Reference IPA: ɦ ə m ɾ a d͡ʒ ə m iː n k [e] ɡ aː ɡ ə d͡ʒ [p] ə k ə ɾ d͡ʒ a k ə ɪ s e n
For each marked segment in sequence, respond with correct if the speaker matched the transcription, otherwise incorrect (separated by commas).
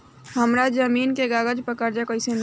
correct, correct